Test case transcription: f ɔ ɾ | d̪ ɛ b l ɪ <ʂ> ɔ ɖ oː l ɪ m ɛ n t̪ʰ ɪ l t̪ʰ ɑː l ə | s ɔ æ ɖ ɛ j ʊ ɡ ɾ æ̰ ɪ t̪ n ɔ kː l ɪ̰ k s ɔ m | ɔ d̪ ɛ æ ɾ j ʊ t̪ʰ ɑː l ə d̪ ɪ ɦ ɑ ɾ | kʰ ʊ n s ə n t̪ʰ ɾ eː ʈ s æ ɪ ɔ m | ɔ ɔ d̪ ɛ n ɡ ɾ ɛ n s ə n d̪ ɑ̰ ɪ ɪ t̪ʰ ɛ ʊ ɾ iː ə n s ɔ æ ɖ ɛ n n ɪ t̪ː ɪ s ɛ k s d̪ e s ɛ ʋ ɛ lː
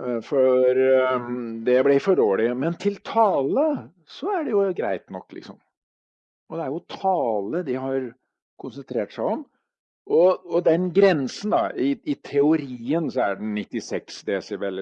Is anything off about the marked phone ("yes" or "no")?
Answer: yes